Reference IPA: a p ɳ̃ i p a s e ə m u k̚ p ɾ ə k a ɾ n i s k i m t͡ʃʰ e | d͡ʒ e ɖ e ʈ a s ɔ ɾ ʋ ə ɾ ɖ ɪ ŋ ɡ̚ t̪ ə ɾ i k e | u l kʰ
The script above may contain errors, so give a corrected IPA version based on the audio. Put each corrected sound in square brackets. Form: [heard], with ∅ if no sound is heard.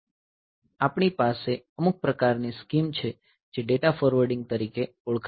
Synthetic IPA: a p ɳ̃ i p a s e ə m u k̚ p ɾ ə k a ɾ n i s k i m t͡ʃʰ e | d͡ʒ e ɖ e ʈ a [f] ɔ ɾ ʋ ə ɾ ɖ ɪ ŋ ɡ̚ t̪ ə ɾ i k e | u [ɭ] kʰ